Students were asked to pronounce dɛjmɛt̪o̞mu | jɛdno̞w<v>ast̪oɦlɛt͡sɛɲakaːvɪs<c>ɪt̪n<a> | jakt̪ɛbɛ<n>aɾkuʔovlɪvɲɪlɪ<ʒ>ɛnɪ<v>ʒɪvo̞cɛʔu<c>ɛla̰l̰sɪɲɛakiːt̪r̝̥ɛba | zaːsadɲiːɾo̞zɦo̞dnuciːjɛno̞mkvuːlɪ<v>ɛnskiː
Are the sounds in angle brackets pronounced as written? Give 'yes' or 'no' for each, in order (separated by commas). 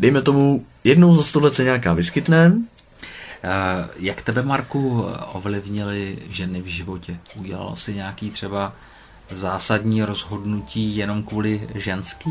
no, no, no, no, yes, yes, no, no